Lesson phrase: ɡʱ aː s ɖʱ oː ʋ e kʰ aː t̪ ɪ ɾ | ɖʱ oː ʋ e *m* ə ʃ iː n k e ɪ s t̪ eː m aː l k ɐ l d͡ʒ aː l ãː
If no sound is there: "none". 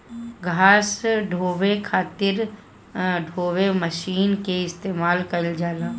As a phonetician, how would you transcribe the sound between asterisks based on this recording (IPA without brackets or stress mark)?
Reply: m